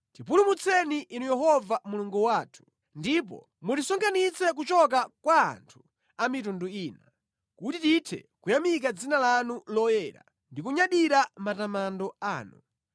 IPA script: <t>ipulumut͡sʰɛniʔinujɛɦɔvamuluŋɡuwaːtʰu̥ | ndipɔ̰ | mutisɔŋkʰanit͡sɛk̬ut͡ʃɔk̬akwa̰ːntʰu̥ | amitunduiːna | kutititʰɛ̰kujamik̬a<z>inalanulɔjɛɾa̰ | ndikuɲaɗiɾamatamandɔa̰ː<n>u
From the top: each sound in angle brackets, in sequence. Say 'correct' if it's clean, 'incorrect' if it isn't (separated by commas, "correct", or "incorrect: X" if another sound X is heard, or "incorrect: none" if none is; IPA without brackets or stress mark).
correct, incorrect: d͡z, correct